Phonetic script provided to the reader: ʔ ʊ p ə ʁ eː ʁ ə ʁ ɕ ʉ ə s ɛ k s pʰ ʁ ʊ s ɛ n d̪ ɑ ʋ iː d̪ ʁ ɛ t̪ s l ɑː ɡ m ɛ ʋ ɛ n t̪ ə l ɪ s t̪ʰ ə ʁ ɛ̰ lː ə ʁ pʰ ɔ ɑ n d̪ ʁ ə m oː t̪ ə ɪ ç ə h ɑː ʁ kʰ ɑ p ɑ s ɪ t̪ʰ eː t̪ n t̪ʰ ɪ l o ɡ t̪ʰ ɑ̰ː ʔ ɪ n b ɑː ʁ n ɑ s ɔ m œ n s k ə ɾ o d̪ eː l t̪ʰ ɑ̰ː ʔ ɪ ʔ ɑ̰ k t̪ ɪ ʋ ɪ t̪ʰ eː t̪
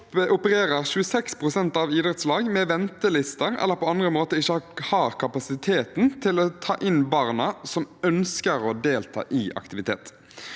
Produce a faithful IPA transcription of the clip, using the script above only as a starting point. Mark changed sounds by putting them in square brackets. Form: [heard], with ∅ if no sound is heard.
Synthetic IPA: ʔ ʊ p ə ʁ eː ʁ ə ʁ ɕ ʉ ə s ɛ k s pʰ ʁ ʊ s ɛ n [t̪] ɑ ʋ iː d̪ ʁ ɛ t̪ s l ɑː ɡ m ɛ ʋ ɛ n t̪ ə l ɪ s [t̪] ə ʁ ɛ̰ lː ə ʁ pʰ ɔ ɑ n d̪ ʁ ə m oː t̪ ə ɪ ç ə h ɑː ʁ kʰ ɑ p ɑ s ɪ t̪ʰ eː t̪ n t̪ʰ ɪ l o [∅] t̪ʰ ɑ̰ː ʔ ɪ n b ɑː ʁ n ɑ s ɔ m œ n s k ə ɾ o d̪ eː l t̪ʰ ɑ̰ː ʔ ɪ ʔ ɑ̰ k t̪ ɪ ʋ ɪ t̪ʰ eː t̪